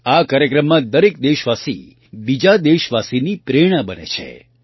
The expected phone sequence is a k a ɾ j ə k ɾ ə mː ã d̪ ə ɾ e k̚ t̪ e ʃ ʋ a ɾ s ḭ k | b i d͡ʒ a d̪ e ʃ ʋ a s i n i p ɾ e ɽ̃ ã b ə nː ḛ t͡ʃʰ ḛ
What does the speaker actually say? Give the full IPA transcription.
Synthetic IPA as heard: a k a ɾ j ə k ɾ ə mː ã d̪ ə ɾ e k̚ d̪ e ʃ ʋ a s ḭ | b i d͡ʒ a d̪ e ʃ ʋ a s i n i p ɾ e ɽ̃ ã b ə n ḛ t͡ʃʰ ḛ